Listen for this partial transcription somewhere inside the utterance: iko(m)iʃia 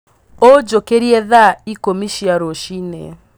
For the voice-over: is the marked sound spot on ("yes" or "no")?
yes